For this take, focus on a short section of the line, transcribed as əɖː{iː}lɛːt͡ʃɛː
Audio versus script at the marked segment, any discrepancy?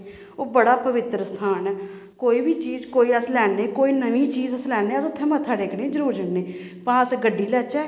no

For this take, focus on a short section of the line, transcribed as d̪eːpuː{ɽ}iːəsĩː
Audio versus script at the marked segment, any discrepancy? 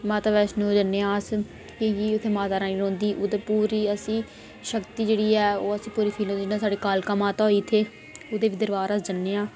yes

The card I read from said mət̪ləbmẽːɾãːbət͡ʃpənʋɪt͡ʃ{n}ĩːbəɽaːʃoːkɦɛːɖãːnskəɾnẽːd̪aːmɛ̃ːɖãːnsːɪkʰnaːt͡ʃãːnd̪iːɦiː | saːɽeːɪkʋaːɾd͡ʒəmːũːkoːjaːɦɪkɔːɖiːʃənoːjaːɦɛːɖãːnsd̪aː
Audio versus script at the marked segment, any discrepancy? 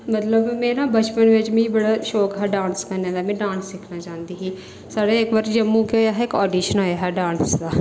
yes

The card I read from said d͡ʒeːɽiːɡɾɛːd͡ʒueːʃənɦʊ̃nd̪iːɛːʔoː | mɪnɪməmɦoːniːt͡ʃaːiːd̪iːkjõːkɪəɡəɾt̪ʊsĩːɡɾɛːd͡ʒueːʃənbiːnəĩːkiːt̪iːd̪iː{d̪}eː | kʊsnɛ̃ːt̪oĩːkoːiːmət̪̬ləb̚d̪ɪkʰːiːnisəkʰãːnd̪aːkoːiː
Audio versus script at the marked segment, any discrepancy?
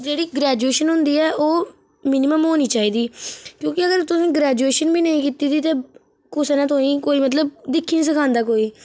yes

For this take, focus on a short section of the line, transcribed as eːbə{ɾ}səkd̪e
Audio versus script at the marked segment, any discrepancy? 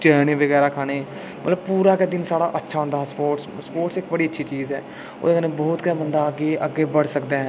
yes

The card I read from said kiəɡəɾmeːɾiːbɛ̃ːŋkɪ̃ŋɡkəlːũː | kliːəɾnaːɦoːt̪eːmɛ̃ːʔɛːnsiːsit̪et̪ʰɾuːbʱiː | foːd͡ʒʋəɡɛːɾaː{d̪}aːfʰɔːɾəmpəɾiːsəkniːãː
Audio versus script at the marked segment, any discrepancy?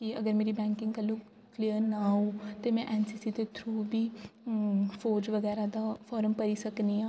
no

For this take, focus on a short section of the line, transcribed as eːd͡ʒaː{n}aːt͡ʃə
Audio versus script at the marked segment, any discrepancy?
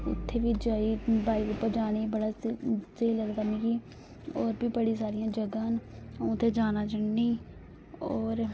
no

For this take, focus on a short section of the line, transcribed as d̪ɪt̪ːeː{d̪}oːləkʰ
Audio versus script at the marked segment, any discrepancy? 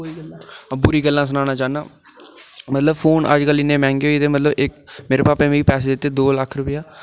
no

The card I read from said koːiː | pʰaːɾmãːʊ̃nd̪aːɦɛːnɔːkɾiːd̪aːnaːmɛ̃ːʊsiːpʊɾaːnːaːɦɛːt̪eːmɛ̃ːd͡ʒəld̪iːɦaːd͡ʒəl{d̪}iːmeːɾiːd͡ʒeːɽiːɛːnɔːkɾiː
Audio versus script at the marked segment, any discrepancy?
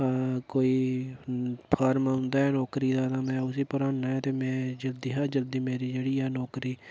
no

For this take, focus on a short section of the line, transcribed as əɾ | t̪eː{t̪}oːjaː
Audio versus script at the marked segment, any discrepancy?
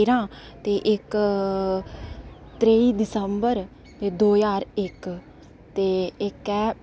yes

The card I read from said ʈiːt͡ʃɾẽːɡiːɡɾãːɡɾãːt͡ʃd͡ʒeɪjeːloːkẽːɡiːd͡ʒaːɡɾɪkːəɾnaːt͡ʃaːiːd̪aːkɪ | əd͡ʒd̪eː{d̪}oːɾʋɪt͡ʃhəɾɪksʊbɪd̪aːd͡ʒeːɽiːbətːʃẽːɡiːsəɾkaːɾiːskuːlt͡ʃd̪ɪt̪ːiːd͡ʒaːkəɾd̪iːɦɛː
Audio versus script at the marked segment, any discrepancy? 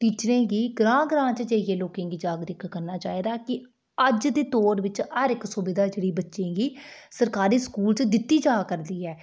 yes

